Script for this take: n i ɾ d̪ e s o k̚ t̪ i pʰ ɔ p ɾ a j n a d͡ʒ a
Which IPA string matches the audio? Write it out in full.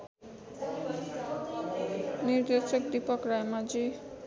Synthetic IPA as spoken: n i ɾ d̪ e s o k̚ d̪ i p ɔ k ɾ a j m a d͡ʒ i